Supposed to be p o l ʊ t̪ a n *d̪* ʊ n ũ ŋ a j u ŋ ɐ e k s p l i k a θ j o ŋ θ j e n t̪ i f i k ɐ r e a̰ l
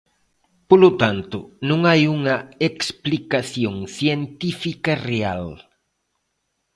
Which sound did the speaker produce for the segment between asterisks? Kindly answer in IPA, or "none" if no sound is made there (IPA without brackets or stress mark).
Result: t̪